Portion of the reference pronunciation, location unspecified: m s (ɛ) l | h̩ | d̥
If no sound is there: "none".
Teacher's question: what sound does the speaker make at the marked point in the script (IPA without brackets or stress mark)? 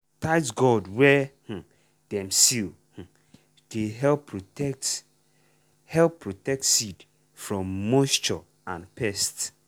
i